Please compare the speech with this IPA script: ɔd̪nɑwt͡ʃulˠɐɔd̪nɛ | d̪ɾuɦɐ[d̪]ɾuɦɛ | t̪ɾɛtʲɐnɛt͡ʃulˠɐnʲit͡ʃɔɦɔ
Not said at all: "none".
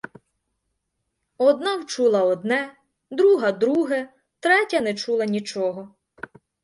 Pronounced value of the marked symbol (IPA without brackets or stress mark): d̪